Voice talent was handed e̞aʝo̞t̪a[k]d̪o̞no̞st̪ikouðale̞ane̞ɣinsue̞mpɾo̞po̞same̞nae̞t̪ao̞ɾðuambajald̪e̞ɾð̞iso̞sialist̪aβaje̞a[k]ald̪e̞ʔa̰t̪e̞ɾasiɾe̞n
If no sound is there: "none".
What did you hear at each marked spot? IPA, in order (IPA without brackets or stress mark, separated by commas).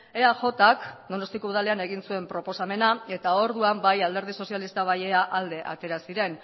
k, ʔ